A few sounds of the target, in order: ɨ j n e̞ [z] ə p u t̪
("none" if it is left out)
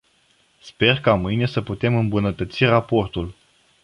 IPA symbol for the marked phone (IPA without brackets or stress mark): s